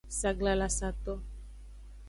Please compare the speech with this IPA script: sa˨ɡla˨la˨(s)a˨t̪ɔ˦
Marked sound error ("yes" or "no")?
no